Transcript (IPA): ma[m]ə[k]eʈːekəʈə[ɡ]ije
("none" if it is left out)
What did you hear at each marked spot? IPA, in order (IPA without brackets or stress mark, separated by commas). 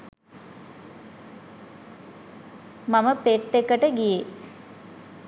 m, p, ɡ